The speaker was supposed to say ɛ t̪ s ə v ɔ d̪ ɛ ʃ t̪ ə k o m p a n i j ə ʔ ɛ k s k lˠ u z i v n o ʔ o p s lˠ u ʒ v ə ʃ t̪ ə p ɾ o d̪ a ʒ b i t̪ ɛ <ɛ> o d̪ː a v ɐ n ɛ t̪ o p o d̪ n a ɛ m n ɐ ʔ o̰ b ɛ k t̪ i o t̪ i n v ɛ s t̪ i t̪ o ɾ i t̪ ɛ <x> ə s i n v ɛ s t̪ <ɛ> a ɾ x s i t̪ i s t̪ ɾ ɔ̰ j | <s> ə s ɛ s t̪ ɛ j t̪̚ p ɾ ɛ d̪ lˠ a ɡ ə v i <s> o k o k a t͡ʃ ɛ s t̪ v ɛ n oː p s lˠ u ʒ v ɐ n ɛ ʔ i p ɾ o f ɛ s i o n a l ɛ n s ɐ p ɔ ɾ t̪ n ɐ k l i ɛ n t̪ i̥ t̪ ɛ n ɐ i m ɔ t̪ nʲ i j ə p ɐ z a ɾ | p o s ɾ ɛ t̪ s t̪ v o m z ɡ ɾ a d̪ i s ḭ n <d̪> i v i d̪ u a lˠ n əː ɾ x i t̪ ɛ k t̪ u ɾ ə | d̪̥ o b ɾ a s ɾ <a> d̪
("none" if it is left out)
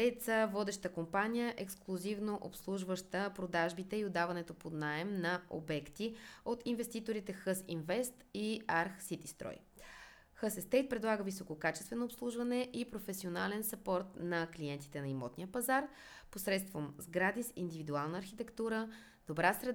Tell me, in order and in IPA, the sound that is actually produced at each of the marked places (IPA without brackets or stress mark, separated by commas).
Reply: i, x, i, x, s, d̪, ɛ